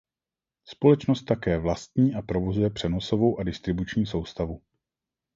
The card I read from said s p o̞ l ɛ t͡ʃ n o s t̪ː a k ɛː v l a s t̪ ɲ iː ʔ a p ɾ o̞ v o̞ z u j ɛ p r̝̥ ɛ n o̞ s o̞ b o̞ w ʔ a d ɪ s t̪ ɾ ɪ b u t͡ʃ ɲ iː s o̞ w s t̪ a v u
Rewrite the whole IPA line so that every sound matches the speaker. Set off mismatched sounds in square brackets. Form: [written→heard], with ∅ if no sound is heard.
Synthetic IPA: s p o̞ l ɛ t͡ʃ n o s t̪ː a k ɛː v l a s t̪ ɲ iː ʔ a p ɾ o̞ v o̞ z u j ɛ p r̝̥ ɛ n o̞ s o̞ [b→v] o̞ w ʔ a d ɪ s t̪ ɾ ɪ b u t͡ʃ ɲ iː s o̞ w s t̪ a v u